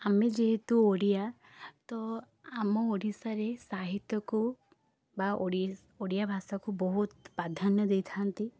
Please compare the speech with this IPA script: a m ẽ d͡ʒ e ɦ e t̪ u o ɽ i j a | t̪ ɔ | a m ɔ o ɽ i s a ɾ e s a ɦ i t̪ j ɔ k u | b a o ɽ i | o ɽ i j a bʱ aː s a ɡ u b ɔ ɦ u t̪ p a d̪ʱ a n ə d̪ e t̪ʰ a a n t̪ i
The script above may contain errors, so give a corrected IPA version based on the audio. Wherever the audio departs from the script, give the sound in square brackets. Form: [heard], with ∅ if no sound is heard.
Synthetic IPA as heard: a m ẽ d͡ʒ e ɦ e t̪ u o ɽ i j a | t̪ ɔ | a m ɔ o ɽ i s a ɾ e s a ɦ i t̪ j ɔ k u | b a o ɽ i | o ɽ i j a bʱ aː s a [k] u b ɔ ɦ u t̪ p a d̪ʱ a n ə d̪ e t̪ʰ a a n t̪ i